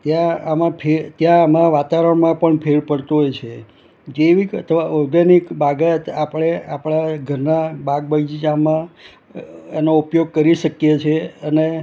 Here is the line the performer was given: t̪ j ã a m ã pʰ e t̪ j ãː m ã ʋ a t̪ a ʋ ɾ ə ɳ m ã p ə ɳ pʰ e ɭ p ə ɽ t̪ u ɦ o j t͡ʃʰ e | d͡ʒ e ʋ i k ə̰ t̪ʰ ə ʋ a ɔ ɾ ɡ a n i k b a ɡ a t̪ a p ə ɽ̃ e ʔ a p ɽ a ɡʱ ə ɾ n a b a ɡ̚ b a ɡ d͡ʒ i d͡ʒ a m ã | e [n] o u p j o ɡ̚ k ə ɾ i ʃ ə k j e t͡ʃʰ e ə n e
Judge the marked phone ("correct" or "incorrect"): correct